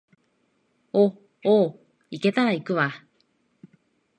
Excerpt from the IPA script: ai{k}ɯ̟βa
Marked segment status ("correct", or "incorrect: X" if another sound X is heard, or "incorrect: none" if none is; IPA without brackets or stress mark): correct